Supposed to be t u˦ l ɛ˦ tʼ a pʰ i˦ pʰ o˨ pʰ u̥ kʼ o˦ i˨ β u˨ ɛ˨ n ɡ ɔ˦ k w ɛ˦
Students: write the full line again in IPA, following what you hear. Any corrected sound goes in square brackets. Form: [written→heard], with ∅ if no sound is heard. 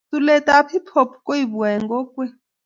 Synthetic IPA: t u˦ l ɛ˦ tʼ a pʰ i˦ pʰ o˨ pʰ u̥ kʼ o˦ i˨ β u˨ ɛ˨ [n→ŋ] ɡ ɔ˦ k w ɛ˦